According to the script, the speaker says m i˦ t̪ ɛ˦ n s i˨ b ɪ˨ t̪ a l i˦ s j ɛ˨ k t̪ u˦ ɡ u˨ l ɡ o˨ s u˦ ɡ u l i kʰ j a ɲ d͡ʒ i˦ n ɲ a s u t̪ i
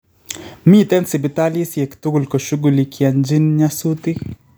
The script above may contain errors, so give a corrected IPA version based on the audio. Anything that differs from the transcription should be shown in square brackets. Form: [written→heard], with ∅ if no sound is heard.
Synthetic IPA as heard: m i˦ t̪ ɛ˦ n s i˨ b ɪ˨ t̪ a l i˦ s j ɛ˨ k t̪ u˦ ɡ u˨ l [ɡ→k] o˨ [s→ʃ] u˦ ɡ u l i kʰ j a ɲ d͡ʒ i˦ n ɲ a s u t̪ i